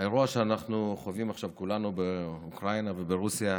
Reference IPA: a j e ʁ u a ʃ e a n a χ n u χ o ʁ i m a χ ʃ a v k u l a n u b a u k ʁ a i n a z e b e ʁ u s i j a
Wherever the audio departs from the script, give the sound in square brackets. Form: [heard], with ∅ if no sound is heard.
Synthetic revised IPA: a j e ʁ u a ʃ e a n a χ n u χ o [v] i m a χ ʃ a v k u l a n u b [e] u k ʁ a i n a [v] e b e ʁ u s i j a